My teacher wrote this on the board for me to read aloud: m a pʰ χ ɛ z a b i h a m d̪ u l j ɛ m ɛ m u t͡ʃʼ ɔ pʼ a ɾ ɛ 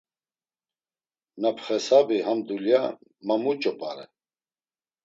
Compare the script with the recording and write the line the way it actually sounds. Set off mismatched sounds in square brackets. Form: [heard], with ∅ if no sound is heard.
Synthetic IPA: [n] a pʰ χ ɛ [s] a b i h a m d̪ u l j [a] m [a] m u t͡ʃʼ ɔ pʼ a ɾ ɛ